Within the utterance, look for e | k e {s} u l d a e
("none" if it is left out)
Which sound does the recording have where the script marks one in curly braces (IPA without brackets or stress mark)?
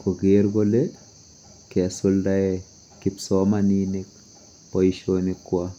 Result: s